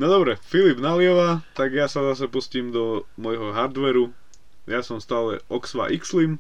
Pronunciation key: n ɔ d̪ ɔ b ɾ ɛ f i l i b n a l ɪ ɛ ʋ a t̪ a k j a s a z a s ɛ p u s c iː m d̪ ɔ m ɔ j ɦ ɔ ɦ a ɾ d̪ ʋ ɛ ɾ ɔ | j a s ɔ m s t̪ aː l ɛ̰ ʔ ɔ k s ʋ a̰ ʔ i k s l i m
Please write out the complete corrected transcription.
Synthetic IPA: n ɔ d̪ ɔ b ɾ ɛ f i l i b n a l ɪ ɛ ʋ a t̪ a ɡ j a s a z a s ɛ p u s c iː m d̪ ɔ m ɔ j ɦ ɔ ɦ a ɾ d̪ ʋ ɛ ɾ u | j a s ɔ m s t̪ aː l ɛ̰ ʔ ɔ k s ʋ a̰ ʔ i k s l i m